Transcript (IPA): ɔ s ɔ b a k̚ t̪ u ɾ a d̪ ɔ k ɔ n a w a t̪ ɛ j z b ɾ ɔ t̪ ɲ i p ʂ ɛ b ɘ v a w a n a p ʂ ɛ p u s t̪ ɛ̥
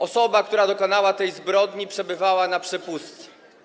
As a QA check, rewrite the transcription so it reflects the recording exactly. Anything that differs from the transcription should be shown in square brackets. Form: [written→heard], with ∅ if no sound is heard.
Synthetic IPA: ɔ s ɔ b a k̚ t̪ u ɾ a d̪ ɔ k ɔ n a w a t̪ ɛ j z b ɾ ɔ [t̪→d̪] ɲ i p ʂ ɛ b ɘ v a w a n a p ʂ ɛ p u s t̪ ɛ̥